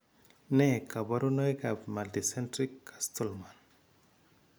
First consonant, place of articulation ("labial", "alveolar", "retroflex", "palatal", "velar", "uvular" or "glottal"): alveolar